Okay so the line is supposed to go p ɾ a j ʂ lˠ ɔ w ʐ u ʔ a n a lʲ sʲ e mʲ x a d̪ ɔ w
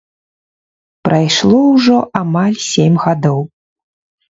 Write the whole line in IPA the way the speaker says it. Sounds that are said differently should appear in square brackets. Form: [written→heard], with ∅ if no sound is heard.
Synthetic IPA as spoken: p ɾ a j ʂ lˠ ɔ w ʐ [u→ɔ] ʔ a [n→m] a lʲ sʲ e mʲ [x→ɣ] a d̪ ɔ w

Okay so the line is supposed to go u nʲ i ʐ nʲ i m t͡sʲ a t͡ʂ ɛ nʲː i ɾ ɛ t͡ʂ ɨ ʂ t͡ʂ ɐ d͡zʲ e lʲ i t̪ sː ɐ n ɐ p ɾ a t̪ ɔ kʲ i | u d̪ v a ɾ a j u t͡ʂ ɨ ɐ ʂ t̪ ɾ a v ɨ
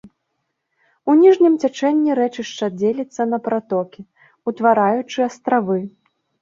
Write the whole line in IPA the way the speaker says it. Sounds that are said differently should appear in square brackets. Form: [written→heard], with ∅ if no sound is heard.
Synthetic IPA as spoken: u nʲ i ʐ nʲ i m t͡sʲ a t͡ʂ ɛ nʲː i ɾ ɛ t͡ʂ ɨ ʂ t͡ʂ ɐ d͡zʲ e lʲ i t̪ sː ɐ n ɐ p ɾ a t̪ ɔ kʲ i | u [d̪→t̪] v a ɾ a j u t͡ʂ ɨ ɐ [ʂ→s] t̪ ɾ a v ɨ

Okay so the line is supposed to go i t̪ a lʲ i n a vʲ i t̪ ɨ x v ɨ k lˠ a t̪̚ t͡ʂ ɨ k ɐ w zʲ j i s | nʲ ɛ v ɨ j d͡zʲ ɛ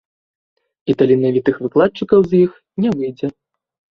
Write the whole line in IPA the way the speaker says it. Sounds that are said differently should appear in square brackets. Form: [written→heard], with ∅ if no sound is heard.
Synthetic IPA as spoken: i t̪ a lʲ i n a vʲ i t̪ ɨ x v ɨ k lˠ a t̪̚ t͡ʂ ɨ k ɐ w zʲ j i [s→x] | nʲ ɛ v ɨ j d͡zʲ ɛ

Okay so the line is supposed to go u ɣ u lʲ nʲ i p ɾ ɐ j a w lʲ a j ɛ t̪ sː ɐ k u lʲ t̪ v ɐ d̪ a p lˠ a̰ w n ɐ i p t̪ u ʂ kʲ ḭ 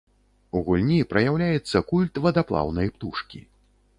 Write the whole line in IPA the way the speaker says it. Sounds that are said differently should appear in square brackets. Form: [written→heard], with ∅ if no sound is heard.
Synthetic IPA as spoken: u ɣ u lʲ nʲ i p ɾ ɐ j a w lʲ a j ɛ t̪ sː ɐ k u lʲ t̪ v ɐ d̪ a p lˠ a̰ w n ɐ [i→j] p t̪ u ʂ kʲ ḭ

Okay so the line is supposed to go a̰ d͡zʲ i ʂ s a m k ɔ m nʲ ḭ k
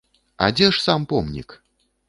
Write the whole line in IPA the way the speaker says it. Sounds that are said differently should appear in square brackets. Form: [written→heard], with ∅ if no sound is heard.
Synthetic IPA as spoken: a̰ d͡zʲ [i→ɛ] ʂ s a m [k→p] ɔ m nʲ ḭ k

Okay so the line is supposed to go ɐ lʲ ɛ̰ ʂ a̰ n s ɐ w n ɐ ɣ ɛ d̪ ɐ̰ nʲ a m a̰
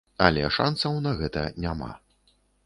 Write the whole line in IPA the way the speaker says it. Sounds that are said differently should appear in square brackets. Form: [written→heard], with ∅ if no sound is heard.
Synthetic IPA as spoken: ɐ lʲ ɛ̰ ʂ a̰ n s ɐ w n ɐ ɣ ɛ [d̪→t̪] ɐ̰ nʲ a m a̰

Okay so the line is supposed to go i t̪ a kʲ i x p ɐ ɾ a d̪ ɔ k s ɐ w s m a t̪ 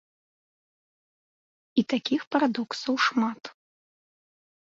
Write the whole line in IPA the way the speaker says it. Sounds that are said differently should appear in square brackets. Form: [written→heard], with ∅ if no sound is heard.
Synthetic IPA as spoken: i t̪ a kʲ i x p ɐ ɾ a d̪ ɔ k s ɐ w [s→ʂ] m a t̪

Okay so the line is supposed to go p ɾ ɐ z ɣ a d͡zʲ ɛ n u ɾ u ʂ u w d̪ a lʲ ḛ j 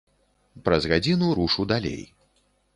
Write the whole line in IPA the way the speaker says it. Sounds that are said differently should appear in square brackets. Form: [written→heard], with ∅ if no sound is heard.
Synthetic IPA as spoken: p ɾ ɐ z ɣ a d͡zʲ [ɛ→i] n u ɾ u ʂ u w d̪ a lʲ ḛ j

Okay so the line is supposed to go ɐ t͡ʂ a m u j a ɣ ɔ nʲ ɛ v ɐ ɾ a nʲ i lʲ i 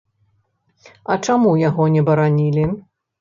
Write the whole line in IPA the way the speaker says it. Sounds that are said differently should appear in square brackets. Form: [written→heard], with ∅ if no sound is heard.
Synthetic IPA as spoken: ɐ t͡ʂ a m u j a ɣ ɔ nʲ ɛ [v→b] ɐ ɾ a nʲ i lʲ i

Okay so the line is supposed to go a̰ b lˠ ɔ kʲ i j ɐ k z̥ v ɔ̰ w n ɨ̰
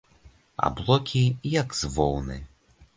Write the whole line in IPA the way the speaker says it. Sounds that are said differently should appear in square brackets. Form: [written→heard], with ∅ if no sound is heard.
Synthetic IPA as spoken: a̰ b lˠ ɔ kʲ i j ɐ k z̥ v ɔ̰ w n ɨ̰

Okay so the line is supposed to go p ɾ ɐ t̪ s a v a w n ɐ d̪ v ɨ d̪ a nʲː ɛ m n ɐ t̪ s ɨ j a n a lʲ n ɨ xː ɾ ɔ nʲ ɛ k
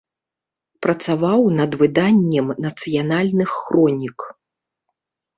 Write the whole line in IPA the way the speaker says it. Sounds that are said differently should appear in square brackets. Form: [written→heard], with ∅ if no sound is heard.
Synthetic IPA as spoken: p ɾ ɐ t̪ s a v a w n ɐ d̪ v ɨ d̪ a nʲː ɛ m n ɐ t̪ s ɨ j a n a lʲ n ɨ xː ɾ ɔ nʲ [ɛ→i] k

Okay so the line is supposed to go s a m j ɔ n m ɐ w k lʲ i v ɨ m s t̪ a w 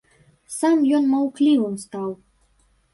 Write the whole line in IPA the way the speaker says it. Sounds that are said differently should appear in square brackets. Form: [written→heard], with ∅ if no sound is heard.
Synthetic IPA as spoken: s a m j ɔ n m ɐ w k lʲ i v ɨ m s t̪ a w

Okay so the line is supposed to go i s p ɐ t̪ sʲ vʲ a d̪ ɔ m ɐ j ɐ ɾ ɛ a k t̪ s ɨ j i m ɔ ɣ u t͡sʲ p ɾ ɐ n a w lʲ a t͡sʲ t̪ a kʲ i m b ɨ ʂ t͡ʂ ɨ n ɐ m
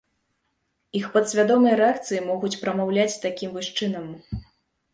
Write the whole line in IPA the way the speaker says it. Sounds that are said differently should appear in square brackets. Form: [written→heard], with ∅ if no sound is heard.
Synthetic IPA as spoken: i [s→x] p ɐ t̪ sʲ vʲ a d̪ ɔ m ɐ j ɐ ɾ ɛ a k t̪ s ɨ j i m ɔ ɣ u t͡sʲ p ɾ ɐ [n→m] a w lʲ a t͡sʲ t̪ a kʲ i m [b→v] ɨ ʂ t͡ʂ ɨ n ɐ m

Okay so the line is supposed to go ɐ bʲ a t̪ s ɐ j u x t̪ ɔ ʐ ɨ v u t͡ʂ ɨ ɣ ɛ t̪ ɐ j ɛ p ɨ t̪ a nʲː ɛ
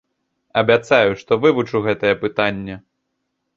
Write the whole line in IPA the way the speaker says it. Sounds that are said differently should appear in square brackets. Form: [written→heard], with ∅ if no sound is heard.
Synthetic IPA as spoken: ɐ bʲ a t̪ s [ɐ→a] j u [x→ʂ] t̪ ɔ [ʐ→v] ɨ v u t͡ʂ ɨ ɣ ɛ t̪ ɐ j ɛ p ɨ t̪ a nʲː ɛ

